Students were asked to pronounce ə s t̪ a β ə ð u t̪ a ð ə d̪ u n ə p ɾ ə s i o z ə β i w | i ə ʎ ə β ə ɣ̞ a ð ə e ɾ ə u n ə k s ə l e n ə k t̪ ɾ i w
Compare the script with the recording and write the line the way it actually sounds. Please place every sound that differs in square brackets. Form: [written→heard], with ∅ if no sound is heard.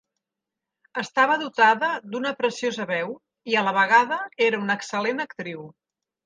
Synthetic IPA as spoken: ə s t̪ a β ə ð u t̪ a ð ə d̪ u n ə p ɾ ə s i o z ə β [i→ɛ] w | i ə [ʎ→l] ə β ə ɣ̞ a ð ə e ɾ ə u n ə k s ə l e n ə k t̪ ɾ i w